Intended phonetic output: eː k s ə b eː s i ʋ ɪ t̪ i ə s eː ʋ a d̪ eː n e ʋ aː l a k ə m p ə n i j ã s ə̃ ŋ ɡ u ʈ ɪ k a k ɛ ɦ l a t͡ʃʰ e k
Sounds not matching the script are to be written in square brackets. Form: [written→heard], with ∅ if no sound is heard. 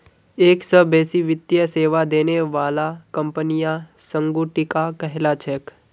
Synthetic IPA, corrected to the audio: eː k s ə b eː s i ʋ ɪ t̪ [i→j] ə s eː ʋ a d̪ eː n e ʋ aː l a k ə m p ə n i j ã s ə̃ ŋ ɡ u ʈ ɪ k a k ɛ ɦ l a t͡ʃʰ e k